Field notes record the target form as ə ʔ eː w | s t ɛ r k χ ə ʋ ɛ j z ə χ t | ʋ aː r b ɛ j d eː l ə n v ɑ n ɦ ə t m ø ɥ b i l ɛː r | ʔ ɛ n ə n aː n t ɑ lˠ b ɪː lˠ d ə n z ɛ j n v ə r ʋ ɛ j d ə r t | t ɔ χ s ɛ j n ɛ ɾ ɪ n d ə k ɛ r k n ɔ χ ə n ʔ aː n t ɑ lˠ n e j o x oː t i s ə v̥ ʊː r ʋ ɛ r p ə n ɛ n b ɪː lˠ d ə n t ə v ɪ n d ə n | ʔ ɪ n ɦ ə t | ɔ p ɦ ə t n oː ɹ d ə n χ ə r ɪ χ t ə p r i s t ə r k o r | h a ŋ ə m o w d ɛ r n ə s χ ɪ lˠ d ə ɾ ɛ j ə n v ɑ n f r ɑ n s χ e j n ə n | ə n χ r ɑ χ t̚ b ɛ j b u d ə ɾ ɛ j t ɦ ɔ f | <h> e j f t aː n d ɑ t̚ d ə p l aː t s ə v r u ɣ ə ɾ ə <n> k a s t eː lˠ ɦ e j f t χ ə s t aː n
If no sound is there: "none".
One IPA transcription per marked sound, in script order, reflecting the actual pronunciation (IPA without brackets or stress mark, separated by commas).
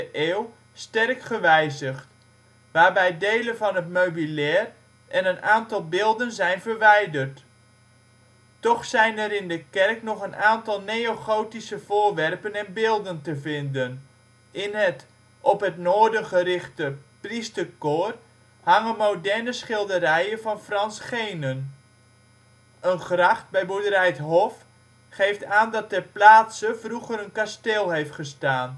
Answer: χ, n